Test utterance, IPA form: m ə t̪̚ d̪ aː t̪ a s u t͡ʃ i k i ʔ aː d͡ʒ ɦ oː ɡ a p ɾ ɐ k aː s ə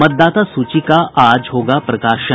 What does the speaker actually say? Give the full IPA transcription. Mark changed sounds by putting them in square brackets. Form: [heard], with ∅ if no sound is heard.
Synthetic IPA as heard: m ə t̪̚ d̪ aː t̪ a s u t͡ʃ i k [a] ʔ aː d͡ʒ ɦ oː ɡ a p ɾ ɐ k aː [ʃ] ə